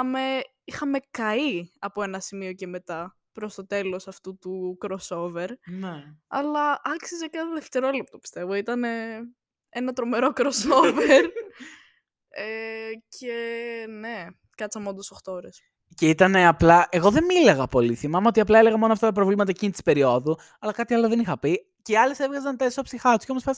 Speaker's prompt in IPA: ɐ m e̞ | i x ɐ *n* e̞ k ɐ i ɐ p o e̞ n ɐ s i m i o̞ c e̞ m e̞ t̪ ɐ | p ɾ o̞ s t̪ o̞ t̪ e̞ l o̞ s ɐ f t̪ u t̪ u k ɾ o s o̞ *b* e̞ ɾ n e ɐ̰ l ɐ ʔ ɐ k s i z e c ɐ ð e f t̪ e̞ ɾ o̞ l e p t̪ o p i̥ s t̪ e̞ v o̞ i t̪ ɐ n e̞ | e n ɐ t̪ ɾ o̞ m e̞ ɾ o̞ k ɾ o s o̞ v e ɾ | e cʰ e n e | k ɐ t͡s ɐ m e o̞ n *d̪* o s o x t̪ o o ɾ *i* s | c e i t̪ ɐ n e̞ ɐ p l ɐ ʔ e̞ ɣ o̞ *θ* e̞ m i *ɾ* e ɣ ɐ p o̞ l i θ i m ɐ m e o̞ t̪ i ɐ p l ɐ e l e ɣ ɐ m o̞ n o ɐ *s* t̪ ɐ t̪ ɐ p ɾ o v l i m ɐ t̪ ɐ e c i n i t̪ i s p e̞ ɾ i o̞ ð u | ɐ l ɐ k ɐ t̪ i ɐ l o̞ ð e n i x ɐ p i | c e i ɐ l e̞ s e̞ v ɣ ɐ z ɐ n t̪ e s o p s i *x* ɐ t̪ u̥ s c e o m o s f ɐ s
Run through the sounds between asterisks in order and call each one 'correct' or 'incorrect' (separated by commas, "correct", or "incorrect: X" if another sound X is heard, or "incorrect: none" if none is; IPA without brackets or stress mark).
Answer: incorrect: m, incorrect: v, correct, incorrect: e, incorrect: ð, incorrect: l, incorrect: f, correct